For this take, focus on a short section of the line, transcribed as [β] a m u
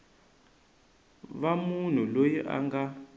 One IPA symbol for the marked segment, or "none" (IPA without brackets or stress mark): β